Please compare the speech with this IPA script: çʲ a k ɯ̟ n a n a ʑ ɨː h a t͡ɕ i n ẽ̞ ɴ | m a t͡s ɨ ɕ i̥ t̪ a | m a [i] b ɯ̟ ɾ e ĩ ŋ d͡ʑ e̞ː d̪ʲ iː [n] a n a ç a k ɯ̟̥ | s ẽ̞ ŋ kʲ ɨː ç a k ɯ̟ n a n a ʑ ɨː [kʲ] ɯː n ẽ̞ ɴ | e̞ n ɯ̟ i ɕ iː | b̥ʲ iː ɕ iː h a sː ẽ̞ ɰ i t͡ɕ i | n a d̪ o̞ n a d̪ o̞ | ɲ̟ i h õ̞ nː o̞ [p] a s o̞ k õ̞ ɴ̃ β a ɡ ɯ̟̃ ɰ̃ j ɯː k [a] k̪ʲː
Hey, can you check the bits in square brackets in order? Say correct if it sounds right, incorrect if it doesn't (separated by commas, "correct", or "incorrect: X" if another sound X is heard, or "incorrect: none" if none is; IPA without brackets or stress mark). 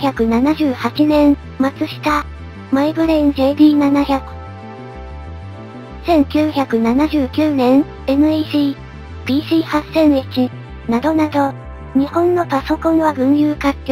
correct, correct, correct, correct, correct